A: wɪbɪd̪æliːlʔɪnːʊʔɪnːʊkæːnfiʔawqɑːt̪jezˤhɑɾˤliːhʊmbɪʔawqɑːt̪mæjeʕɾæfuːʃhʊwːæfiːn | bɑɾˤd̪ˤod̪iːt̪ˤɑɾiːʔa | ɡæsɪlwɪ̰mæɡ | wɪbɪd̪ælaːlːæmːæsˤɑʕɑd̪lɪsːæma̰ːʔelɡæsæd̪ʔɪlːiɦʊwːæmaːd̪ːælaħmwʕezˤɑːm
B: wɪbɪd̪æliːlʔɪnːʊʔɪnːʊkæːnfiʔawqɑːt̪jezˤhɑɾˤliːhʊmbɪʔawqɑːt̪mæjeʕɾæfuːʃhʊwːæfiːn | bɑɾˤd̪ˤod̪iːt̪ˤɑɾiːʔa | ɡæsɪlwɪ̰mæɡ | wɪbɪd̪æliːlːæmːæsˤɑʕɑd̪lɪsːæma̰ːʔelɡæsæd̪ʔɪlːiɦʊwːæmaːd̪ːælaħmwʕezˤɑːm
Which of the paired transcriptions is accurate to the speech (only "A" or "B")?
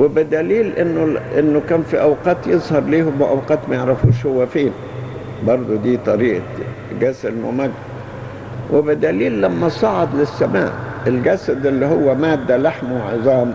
B